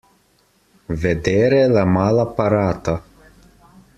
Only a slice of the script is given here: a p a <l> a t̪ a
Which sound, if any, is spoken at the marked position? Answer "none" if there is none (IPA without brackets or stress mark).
ɾ